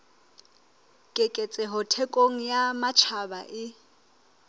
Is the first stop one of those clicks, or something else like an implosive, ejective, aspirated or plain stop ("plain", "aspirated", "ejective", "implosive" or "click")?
ejective